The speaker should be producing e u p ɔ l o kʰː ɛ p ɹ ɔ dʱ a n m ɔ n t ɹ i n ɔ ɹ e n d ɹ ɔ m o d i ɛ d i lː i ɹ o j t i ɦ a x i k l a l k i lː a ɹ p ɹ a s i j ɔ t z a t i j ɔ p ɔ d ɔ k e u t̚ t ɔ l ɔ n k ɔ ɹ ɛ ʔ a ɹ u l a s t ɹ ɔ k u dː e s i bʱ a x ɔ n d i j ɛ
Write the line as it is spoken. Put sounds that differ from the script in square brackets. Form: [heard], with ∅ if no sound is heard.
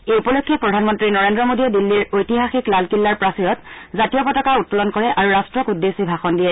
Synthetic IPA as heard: e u p ɔ l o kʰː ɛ p ɹ ɔ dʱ a n m ɔ n t ɹ i n ɔ ɹ e n d ɹ ɔ m o d i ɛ d i lː i ɹ o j t i ɦ a x i k l a l k i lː a ɹ p ɹ a s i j ɔ t z a t i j ɔ p ɔ [t] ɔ k [a] u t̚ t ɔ l ɔ n k ɔ ɹ ɛ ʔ a ɹ u [ɹ] a s t ɹ ɔ k u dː e s i bʱ a x ɔ n d i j ɛ